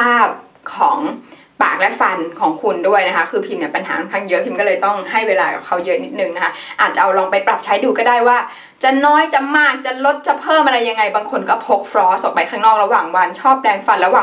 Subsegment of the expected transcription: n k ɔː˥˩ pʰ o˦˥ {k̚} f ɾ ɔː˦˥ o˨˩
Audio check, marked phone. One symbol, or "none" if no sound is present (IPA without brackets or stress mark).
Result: k̚